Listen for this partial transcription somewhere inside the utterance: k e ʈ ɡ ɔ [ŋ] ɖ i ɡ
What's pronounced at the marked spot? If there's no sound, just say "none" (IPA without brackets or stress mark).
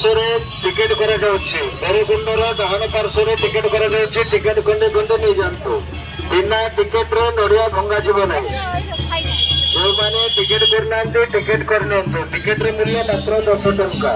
ɳ